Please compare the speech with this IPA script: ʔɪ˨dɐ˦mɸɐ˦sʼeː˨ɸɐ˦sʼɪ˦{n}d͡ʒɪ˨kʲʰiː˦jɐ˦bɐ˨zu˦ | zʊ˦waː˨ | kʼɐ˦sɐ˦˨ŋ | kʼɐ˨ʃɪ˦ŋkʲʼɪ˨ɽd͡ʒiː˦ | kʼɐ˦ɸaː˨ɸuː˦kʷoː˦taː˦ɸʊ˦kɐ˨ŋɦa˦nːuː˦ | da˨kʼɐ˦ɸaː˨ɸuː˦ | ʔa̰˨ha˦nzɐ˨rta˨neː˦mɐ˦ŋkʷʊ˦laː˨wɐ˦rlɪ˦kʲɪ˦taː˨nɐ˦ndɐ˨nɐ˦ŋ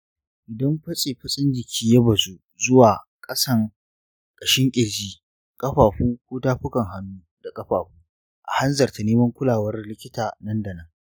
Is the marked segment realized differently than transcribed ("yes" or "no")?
no